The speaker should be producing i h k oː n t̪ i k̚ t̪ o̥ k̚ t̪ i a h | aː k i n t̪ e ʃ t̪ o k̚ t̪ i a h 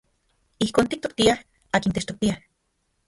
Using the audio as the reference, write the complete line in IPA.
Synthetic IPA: i h k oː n t̪ i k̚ t̪ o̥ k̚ t̪ i a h | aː k i n t̪ e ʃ t̪ o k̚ t̪ i a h

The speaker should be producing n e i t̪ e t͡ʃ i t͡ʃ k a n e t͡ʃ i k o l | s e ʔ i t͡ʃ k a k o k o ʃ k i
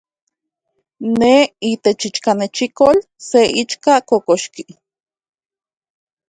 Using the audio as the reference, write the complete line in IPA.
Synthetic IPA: n e i t̪ e t͡ʃ i t͡ʃ k a n e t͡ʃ i k o l | s e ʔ i t͡ʃ k a k o k o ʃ k i

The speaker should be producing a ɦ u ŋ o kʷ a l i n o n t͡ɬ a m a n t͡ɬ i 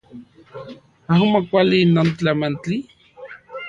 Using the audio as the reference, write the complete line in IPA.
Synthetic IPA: a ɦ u m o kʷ a l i n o n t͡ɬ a m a n t͡ɬ i

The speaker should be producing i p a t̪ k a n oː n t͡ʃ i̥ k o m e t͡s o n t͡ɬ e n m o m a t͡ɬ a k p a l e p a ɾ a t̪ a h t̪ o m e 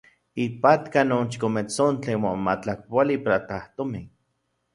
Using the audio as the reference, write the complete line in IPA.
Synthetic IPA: i p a t̪ k a n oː n t͡ʃ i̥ k o m e t͡s o n t͡ɬ e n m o m a t͡ɬ a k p a l i p a ɾ a t̪ a h t̪ o m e

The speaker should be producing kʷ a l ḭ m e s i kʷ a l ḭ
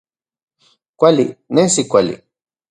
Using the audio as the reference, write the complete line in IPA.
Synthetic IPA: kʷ a l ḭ n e s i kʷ a l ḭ

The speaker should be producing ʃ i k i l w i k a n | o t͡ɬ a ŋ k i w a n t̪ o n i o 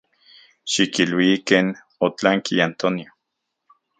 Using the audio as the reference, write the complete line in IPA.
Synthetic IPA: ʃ i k i l w i k e n | o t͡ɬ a ŋ k i a n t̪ o n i o

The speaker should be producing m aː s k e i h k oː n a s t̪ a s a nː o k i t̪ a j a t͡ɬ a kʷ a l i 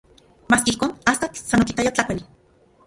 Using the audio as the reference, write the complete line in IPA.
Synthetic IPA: m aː s k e i h k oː n a s t̪ a s a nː o k i t̪ a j a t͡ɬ a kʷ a l i

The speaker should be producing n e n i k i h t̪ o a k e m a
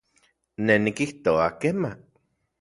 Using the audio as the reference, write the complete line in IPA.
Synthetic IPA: n e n i k i h t̪ o a k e m a

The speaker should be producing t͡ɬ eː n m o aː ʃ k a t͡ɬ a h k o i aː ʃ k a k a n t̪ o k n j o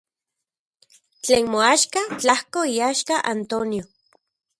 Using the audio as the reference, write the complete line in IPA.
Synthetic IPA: t͡ɬ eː n m o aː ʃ k a t͡ɬ a h k o i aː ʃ k a ʔ a n t̪ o n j o

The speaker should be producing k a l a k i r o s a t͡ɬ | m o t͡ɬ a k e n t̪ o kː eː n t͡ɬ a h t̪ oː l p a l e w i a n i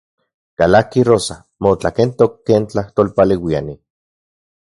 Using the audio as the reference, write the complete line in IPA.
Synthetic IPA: k a l a k i r o s a | m o t͡ɬ a k e n t̪ o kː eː n t͡ɬ a h t̪ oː l p a l e w i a n i

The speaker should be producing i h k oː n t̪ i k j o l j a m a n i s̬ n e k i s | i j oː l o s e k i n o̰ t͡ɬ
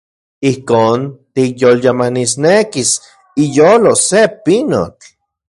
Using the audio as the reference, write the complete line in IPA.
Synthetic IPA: i h k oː n t̪ i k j o l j a m a n i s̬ n e k i s | i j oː l o s e p i n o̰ t͡ɬ

